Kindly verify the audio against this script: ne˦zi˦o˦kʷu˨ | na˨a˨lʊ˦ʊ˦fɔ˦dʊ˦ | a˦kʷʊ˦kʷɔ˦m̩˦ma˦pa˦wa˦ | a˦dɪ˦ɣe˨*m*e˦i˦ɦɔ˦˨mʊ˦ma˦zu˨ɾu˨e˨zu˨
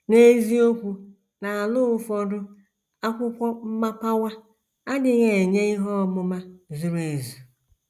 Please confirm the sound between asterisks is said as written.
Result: no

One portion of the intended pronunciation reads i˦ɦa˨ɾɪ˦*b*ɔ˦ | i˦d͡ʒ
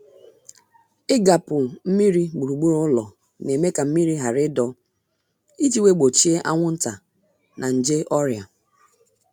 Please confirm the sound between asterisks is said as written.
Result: no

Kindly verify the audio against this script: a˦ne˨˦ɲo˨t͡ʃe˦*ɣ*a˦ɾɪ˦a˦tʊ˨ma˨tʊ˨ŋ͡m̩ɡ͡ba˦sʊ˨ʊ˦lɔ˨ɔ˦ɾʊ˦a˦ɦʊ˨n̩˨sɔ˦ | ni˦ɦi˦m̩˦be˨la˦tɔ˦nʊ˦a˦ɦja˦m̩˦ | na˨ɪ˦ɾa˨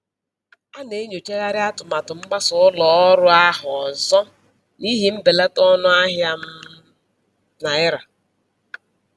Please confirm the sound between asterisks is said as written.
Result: yes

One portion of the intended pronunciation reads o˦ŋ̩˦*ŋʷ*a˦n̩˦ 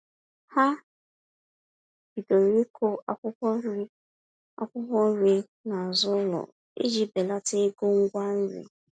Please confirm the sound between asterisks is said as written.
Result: no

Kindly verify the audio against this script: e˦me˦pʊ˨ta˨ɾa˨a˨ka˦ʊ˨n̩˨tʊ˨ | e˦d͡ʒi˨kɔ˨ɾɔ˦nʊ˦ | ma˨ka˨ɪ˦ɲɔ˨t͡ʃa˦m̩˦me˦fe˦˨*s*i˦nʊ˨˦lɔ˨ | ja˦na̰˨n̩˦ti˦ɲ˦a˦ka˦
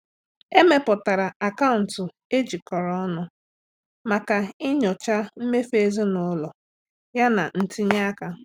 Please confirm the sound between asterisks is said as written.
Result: no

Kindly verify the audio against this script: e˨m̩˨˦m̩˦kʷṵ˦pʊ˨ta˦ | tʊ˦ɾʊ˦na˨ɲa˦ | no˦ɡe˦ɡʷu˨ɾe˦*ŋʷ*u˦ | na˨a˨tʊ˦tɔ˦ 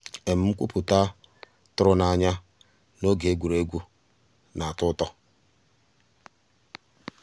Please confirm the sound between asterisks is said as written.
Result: no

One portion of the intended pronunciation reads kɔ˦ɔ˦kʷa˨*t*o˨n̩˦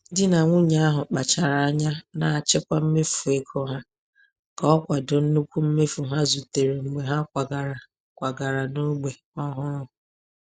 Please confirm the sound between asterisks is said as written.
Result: no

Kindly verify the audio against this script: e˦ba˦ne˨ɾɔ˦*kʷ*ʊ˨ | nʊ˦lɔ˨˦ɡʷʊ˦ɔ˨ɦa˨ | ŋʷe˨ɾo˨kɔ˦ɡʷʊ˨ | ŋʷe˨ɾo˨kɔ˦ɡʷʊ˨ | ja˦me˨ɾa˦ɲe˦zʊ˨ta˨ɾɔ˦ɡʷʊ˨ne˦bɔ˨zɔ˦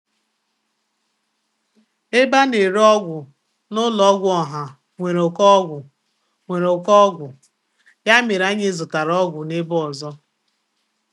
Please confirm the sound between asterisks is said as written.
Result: no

